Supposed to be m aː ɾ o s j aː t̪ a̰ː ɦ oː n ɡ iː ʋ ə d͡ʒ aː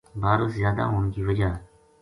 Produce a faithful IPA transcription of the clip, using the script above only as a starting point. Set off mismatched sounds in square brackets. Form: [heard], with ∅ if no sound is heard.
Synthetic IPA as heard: [b] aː ɾ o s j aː [d̪] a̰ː ɦ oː n [k] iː ʋ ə d͡ʒ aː

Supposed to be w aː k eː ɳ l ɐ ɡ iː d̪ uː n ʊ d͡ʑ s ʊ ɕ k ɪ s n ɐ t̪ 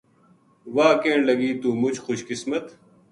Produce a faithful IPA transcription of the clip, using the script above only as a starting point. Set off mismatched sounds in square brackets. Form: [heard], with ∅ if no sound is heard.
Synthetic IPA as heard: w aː k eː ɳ l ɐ ɡ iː [t̪] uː [m] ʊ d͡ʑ [x] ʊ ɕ k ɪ s [m] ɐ t̪

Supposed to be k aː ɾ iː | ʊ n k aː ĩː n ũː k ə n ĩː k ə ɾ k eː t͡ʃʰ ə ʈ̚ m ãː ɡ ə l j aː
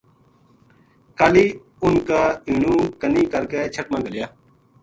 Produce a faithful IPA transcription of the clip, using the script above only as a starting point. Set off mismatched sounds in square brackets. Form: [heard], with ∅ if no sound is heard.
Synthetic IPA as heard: k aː [l] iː | ʊ n k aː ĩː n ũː k ə n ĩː k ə ɾ k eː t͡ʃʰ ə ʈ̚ m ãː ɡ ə l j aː

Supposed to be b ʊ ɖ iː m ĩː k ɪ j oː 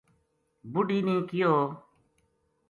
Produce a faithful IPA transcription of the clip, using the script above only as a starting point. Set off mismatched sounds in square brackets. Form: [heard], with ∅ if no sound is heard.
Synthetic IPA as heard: b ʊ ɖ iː [n] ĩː k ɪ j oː

